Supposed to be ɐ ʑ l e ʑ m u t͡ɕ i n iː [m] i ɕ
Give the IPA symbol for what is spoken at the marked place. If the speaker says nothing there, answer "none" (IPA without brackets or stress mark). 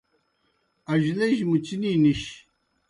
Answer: n